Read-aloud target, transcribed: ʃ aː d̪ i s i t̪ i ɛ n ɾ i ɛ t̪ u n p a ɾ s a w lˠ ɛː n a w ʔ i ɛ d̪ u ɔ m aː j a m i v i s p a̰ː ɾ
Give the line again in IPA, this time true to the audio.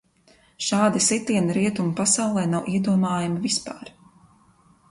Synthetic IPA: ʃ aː d̪ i s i t̪ i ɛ n ɾ i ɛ t̪ u m p a s a w lˠ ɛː n a w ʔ i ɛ d̪ u ɔ m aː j a m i v i s p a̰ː ɾ